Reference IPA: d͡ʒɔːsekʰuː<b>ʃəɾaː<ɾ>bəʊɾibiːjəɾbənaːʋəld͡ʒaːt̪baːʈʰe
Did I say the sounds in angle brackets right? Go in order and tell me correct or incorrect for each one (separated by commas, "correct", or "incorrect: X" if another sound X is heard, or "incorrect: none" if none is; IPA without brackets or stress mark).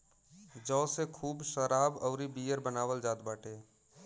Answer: correct, incorrect: none